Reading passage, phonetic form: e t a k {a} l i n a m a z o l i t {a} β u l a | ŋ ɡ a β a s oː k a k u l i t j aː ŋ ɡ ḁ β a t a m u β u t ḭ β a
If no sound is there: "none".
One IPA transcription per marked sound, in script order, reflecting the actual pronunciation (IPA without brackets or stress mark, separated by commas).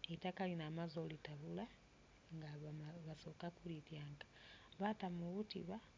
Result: a, a